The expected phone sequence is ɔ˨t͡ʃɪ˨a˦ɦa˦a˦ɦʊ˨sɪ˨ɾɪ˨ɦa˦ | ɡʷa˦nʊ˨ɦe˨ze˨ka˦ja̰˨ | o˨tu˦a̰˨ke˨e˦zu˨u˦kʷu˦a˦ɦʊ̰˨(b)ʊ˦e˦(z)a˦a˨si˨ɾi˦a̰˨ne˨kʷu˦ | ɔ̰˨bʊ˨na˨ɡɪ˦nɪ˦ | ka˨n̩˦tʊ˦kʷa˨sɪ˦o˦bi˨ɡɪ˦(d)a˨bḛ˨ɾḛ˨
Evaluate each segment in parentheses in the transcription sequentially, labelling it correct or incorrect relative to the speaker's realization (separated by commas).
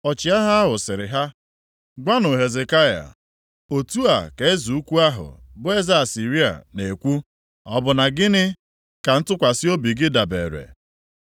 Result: correct, correct, correct